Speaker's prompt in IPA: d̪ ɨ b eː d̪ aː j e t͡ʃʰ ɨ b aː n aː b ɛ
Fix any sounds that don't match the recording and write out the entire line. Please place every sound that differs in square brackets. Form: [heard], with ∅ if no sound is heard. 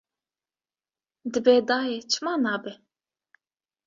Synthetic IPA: d̪ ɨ b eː d̪ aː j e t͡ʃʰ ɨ [m] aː n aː b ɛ